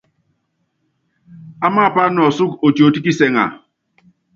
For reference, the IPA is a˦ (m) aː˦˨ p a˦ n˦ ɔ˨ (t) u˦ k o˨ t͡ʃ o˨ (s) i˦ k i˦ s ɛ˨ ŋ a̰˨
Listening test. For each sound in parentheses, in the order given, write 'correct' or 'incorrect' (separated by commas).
correct, incorrect, incorrect